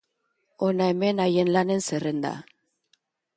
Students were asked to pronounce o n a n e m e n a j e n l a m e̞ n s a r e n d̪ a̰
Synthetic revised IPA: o n a e m e n a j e n l a n e̞ n s e r e n d̪ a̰